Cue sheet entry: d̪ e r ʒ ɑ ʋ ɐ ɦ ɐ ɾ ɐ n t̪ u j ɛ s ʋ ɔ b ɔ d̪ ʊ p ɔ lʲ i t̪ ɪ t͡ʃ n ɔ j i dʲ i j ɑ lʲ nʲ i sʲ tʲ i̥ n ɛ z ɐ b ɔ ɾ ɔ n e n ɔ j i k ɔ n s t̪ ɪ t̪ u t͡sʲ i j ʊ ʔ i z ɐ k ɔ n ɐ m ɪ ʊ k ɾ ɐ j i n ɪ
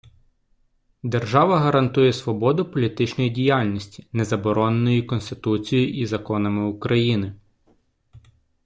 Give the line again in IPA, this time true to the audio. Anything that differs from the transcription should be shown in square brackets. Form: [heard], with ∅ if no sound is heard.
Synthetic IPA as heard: d̪ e r ʒ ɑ ʋ ɐ ɦ ɐ ɾ ɐ n t̪ u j ɛ s ʋ ɔ b ɔ d̪ ʊ p ɔ lʲ i t̪ ɪ t͡ʃ n ɔ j i dʲ i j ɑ lʲ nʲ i sʲ tʲ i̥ n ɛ z ɐ b ɔ ɾ ɔ n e n ɔ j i k ɔ n s t̪ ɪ t̪ u t͡sʲ i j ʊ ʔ i z ɐ k ɔ n ɐ m ɪ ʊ k ɾ ɐ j i n ɪ

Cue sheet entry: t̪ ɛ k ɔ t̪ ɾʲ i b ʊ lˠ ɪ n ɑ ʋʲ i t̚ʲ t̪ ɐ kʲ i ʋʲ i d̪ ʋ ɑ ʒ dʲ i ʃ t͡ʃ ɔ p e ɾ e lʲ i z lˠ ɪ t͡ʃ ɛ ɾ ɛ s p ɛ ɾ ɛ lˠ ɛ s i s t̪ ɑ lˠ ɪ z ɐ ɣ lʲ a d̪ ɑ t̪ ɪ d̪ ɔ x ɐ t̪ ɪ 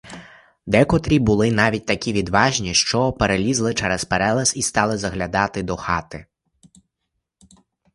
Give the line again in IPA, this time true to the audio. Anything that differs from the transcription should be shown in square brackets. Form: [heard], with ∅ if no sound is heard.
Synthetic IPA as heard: [d̪] ɛ k ɔ t̪ ɾʲ i b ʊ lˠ ɪ n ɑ ʋʲ i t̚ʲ t̪ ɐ kʲ i ʋʲ i d̪ ʋ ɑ ʒ [nʲ] i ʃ t͡ʃ ɔ p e ɾ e lʲ i z lˠ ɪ t͡ʃ ɛ ɾ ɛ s p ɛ ɾ ɛ lˠ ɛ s i s t̪ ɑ lˠ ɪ z ɐ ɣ lʲ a d̪ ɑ t̪ ɪ d̪ ɔ x [ɑ] t̪ ɪ

